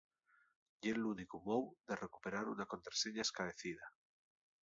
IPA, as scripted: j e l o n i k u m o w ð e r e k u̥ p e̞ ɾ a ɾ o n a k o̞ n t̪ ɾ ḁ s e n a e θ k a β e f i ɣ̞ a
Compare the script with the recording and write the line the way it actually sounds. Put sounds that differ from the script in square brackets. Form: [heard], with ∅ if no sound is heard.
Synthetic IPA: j e l [u] n i k u m o w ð e r e k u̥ p e̞ ɾ a ɾ [u] n a k o̞ n t̪ ɾ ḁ s e [ɲ] a e [s] k a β e [θ] i [ð̞] a

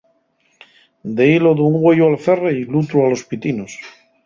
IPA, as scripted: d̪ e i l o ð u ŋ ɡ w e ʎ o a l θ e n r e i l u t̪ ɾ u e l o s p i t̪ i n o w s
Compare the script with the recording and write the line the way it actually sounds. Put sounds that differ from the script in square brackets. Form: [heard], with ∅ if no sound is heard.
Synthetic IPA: d̪ e i l o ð u ŋ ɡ w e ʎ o a l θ e [∅] r e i l u t̪ ɾ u [a] l o s p i t̪ i n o [∅] s

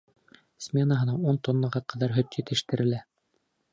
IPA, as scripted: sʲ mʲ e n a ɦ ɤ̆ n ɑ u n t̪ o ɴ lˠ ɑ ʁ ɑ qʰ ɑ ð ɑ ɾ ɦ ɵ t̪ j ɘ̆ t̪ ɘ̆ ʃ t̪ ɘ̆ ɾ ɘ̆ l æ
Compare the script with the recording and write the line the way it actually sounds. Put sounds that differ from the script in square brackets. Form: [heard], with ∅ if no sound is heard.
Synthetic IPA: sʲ mʲ e n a ɦ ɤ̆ n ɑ u n t̪ o [n] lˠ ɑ ʁ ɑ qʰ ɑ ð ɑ ɾ ɦ ɵ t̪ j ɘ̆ t̪ ɘ̆ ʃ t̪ ɘ̆ ɾ ɘ̆ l æ

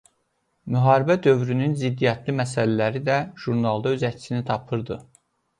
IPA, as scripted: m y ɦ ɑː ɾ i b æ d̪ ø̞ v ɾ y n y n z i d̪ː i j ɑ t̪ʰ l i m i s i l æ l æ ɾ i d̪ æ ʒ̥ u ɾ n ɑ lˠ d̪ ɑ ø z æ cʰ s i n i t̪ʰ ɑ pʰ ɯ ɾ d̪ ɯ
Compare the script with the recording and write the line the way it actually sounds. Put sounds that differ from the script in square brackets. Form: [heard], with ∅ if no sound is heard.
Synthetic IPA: m y ɦ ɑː ɾ i b æ d̪ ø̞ v ɾ y n y n z i d̪ː i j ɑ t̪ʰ l i m [æ] s [æ] l æ l æ ɾ i d̪ æ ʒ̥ u ɾ n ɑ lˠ d̪ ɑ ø z æ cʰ s i n i t̪ʰ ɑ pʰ ɯ ɾ d̪ ɯ

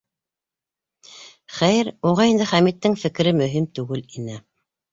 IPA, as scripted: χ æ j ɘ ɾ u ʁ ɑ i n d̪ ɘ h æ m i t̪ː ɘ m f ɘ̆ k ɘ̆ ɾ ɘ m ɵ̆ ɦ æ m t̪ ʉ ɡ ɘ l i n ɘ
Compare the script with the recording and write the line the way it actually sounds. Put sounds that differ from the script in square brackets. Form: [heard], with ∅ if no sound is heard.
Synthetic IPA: χ æ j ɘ ɾ u ʁ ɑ i n d̪ ɘ [χ] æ m i t̪ː ɘ [ŋ] f ɘ̆ k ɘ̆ ɾ ɘ m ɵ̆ ɦ [i] m t̪ ʉ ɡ ɘ l i n ɘ

